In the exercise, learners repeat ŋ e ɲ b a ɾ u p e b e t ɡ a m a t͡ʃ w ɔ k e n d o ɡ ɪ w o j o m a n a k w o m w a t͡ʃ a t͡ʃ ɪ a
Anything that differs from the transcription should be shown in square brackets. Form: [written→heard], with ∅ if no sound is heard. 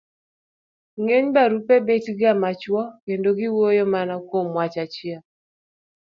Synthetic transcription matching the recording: ŋ e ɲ b a ɾ u p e b e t ɡ a m a t͡ʃ w ɔ k e n d o ɡ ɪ w o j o m a n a k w o m w a t͡ʃ a t͡ʃ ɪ a

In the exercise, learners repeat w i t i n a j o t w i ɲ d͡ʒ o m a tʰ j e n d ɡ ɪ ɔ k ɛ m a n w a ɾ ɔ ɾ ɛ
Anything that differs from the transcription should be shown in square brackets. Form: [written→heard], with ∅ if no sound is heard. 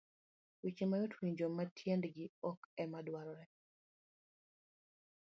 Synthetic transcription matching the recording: w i [t→t͡ʃ] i [n→m] a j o t w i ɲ d͡ʒ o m a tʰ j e n d ɡ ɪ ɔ k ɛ m a [n→d] w a ɾ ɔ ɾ ɛ

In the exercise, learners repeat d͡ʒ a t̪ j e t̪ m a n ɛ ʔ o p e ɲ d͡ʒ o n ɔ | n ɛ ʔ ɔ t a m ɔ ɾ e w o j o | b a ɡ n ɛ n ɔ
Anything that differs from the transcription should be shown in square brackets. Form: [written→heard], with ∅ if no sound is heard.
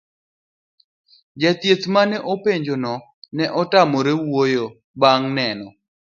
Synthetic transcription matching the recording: d͡ʒ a t̪ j e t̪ m a n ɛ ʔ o p e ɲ d͡ʒ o n ɔ | n ɛ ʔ ɔ t a m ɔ ɾ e w o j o | b a [ɡ→ŋ] n ɛ n ɔ

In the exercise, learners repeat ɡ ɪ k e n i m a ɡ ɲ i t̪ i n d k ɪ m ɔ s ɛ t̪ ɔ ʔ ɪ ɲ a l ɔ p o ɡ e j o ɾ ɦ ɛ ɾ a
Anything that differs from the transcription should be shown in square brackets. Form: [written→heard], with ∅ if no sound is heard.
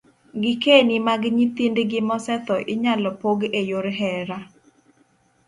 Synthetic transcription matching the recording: ɡ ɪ k e n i m a ɡ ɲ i t̪ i n d [k→ɡ] ɪ m ɔ s ɛ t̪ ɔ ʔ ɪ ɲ a l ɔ p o ɡ e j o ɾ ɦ ɛ ɾ a

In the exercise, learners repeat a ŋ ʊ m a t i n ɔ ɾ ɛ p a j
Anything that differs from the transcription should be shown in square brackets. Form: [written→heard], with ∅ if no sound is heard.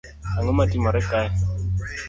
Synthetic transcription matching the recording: a ŋ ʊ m a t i [n→m] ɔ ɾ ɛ [p→k] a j

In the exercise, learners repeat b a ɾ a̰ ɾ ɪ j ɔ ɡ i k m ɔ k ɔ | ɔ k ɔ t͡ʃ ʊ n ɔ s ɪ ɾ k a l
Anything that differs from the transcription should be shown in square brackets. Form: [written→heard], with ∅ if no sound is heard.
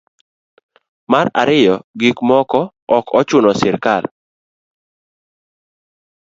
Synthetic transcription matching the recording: [b→m] a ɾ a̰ ɾ ɪ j ɔ ɡ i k m ɔ k ɔ | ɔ k ɔ t͡ʃ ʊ n ɔ s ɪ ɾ k a l

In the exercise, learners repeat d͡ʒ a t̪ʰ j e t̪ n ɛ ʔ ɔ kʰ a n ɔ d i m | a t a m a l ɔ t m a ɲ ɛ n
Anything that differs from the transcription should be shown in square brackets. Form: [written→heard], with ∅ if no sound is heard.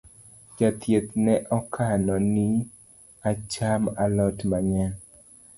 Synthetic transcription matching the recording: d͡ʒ a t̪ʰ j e t̪ n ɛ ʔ ɔ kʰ a n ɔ [d→n] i [m→∅] | a [t→t͡ʃ] a m a l ɔ t m a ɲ ɛ n

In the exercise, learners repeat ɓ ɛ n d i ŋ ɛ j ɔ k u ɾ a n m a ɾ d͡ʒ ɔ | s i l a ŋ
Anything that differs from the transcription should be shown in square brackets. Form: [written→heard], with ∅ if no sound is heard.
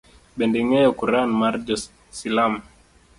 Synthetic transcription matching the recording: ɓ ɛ n d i ŋ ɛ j ɔ k u ɾ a n m a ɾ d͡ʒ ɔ | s i l a [ŋ→m]

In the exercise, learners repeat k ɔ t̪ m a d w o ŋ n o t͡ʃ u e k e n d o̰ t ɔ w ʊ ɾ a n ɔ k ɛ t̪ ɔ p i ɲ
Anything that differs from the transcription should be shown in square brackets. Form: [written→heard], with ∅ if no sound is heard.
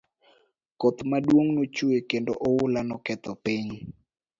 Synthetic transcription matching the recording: k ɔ t̪ m a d w o ŋ n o t͡ʃ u e k e n d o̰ [t→ʔ] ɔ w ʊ [ɾ→l] a n ɔ k ɛ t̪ ɔ p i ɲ

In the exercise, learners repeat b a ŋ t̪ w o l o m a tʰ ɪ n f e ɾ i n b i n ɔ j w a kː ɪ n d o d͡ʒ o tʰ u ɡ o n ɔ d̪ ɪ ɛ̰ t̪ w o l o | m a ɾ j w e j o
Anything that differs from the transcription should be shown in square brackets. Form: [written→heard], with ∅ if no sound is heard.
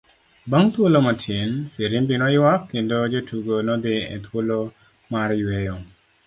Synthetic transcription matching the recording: b a ŋ t̪ w o l o m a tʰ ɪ n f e ɾ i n b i n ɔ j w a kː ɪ n d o d͡ʒ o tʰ u ɡ o n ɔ d̪ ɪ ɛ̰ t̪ w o l o | m a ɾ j w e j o

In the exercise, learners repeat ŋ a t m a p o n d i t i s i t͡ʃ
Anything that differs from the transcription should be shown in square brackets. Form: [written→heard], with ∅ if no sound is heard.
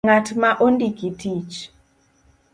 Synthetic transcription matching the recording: ŋ a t m a [p→ʔ] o n d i [t→k] i [s→t] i t͡ʃ

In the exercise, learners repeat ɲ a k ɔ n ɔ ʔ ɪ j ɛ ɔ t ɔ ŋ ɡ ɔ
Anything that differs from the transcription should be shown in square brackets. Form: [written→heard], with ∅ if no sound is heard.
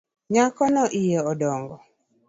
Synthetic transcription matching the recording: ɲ a k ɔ n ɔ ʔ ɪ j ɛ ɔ [t→d] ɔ ŋ ɡ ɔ

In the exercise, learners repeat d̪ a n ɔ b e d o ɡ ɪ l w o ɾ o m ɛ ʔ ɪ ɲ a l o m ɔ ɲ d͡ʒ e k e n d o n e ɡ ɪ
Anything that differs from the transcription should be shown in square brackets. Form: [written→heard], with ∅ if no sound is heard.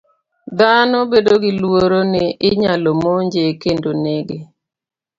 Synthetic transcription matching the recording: d̪ a n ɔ b e d o ɡ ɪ l w o ɾ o [m→n] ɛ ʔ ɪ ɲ a l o m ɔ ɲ d͡ʒ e k e n d o n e ɡ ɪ

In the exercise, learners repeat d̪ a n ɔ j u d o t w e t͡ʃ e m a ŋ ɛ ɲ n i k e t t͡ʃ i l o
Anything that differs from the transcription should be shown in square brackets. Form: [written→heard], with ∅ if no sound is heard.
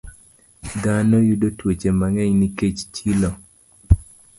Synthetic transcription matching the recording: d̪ a n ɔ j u d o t w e t͡ʃ e m a ŋ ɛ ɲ n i k e [t→t͡ʃ] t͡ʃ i l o

